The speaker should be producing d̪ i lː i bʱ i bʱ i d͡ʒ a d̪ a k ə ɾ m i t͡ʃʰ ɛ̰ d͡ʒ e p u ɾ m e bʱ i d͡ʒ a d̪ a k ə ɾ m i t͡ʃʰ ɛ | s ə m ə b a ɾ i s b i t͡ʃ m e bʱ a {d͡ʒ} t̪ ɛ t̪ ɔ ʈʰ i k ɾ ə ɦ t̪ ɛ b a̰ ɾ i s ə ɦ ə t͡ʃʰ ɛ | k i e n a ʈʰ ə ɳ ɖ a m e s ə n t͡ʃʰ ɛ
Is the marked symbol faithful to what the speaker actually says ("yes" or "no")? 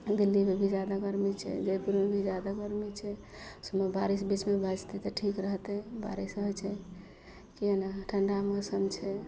yes